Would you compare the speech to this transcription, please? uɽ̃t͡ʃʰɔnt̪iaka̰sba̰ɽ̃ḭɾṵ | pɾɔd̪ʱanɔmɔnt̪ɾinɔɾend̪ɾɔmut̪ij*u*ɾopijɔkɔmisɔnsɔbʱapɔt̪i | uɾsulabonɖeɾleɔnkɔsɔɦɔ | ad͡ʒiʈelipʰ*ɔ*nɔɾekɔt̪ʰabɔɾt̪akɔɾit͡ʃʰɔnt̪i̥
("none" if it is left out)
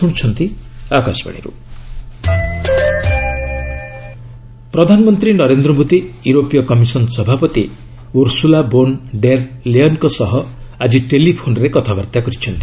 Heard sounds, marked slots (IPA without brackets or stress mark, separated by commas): u, o